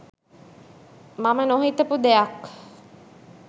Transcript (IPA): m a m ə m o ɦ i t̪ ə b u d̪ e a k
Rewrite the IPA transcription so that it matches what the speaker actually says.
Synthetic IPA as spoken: m a m ə n o ɦ i t̪ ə p u d̪ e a k